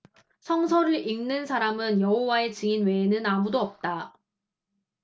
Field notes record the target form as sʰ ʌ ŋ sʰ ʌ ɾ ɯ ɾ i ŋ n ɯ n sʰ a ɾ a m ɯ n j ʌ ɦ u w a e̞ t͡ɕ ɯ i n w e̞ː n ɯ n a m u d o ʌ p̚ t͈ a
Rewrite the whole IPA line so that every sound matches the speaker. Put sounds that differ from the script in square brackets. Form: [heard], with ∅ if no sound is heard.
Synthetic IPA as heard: sʰ ʌ ŋ sʰ ʌ ɾ ɯ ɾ i ŋ n ɯ n sʰ a ɾ a m ɯ n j ʌ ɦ [o] w a e̞ t͡ɕ ɯ i n w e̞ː n ɯ n a m u d o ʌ p̚ t͈ a

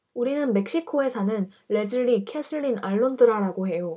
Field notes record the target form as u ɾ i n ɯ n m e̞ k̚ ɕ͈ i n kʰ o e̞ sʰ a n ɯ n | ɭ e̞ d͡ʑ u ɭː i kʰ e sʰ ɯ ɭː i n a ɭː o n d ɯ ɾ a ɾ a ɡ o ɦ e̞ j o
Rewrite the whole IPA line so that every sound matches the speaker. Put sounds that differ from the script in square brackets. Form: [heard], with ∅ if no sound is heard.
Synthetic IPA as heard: u ɾ i n ɯ n m e̞ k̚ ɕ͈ i [∅] kʰ o e̞ sʰ a n ɯ n | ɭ e̞ d͡ʑ [ɯ] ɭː i kʰ e sʰ ɯ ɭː i n a ɭː o n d ɯ ɾ a ɾ a ɡ o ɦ e̞ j o

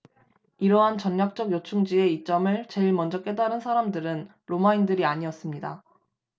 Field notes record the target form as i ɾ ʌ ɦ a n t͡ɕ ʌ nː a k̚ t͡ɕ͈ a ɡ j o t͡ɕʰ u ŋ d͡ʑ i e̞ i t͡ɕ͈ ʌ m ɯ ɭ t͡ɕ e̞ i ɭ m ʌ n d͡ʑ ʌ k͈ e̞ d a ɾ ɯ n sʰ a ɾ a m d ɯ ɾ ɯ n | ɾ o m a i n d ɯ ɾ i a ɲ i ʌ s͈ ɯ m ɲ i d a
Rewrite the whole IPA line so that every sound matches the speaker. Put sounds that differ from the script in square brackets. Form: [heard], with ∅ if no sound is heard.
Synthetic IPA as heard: i ɾ ʌ ɦ a n t͡ɕ ʌ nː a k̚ t͡ɕ͈ [ʌ] ɡ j o t͡ɕʰ u ŋ d͡ʑ i e̞ i t͡ɕ͈ ʌ m ɯ ɭ t͡ɕ e̞ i ɭ m ʌ n d͡ʑ ʌ k͈ e̞ d a ɾ ɯ n sʰ a ɾ a m d ɯ ɾ ɯ n | ɾ o m a i n d ɯ ɾ i a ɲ i ʌ s͈ ɯ m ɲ i d a

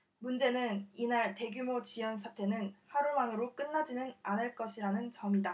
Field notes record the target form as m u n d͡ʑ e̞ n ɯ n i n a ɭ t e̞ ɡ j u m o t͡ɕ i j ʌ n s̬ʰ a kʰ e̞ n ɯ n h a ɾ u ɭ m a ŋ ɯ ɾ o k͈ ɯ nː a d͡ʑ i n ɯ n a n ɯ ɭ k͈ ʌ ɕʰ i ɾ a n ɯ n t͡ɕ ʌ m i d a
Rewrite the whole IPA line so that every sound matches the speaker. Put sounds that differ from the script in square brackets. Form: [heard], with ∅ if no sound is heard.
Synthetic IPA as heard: m u n d͡ʑ e̞ n ɯ n i n a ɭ t e̞ ɡ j u m o t͡ɕ i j ʌ n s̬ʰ a [tʰ] e̞ n ɯ n h a ɾ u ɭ m a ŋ ɯ ɾ o k͈ ɯ nː a d͡ʑ i n ɯ n a n ɯ ɭ k͈ ʌ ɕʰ i ɾ a n ɯ n t͡ɕ ʌ m i d a

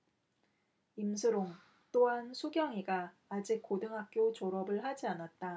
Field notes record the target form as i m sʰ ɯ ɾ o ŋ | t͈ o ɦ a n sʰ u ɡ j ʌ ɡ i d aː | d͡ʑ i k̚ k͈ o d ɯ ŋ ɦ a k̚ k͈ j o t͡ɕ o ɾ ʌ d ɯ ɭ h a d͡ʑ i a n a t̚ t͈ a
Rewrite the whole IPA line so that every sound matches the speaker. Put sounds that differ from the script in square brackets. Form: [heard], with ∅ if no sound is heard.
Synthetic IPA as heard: i m sʰ ɯ ɾ o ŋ | t͈ o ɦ a n sʰ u ɡ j ʌ [ŋ] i [ɡ] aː | d͡ʑ i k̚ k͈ o d ɯ ŋ ɦ a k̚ k͈ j o t͡ɕ o ɾ ʌ [b] ɯ ɭ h a d͡ʑ i a n a t̚ t͈ a

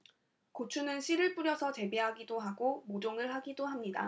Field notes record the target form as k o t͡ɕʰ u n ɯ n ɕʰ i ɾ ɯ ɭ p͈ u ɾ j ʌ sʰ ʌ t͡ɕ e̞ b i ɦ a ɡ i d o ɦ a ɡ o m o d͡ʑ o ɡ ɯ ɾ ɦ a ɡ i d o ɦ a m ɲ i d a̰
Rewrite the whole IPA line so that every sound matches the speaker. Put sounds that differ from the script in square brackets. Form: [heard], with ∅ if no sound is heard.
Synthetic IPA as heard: k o t͡ɕʰ u n ɯ n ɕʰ i ɾ ɯ ɭ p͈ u ɾ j ʌ sʰ ʌ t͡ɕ e̞ b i ɦ a ɡ i d o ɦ a ɡ o m o d͡ʑ o [ŋ] ɯ [ɭ] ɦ a ɡ i d o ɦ a m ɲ i d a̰

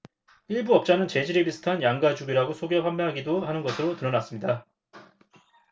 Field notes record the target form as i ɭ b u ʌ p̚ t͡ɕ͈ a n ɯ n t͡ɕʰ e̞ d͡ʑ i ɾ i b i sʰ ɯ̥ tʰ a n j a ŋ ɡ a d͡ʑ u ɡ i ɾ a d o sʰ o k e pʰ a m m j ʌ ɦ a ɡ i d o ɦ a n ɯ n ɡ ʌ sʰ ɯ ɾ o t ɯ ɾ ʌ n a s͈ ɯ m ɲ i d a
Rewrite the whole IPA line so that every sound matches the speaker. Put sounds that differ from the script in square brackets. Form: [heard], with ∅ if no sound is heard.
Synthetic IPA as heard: i ɭ b u ʌ p̚ t͡ɕ͈ a n ɯ n [t͡ɕ] e̞ d͡ʑ i ɾ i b i sʰ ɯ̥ tʰ a n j a ŋ ɡ a d͡ʑ u ɡ i ɾ a [ɡ] o sʰ o [ɡ] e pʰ a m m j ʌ ɦ a ɡ i d o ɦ a n ɯ n ɡ ʌ sʰ ɯ ɾ o t ɯ ɾ ʌ n a s͈ ɯ m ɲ i d a

